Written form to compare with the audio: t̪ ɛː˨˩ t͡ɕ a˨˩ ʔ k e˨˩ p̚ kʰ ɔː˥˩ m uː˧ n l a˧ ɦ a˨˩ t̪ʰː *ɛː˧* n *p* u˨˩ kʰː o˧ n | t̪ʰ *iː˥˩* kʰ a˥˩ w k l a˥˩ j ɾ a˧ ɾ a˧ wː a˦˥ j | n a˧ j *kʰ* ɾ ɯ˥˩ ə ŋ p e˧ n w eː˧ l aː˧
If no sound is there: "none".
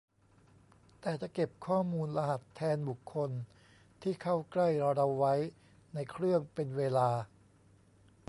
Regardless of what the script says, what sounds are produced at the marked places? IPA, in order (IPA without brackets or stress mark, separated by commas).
ɛː˧, b, iː˥˩, kʰ